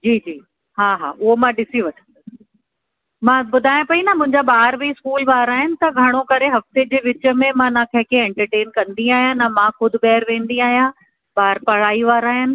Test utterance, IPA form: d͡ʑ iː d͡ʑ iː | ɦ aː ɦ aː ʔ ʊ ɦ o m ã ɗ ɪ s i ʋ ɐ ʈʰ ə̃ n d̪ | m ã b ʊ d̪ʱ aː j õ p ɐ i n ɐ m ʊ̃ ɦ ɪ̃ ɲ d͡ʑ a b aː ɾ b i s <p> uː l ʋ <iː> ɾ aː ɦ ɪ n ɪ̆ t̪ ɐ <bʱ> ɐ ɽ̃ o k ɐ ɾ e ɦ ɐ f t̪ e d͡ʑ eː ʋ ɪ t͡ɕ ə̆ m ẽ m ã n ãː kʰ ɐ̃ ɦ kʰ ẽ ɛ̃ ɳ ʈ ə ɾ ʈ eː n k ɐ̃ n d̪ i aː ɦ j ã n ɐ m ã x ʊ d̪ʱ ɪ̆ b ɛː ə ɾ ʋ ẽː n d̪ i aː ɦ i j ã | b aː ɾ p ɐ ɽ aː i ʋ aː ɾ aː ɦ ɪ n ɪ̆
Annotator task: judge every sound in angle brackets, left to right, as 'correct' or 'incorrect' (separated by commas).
incorrect, incorrect, incorrect